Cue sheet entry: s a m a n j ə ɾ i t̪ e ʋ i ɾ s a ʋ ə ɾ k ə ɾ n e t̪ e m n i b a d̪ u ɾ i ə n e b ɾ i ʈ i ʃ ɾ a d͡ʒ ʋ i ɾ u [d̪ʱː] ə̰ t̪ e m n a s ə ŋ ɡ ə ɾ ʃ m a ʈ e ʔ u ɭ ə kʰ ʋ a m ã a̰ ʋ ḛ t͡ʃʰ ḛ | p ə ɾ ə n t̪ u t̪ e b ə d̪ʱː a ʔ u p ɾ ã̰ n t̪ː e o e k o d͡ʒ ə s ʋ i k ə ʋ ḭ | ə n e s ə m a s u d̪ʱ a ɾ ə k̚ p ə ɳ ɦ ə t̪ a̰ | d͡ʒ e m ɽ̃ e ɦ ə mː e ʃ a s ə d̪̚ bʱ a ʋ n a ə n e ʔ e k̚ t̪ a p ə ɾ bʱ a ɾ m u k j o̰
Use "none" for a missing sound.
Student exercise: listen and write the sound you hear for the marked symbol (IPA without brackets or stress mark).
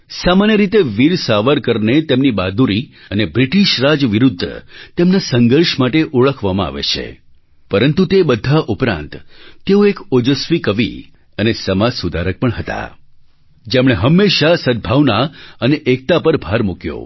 d̪ʱː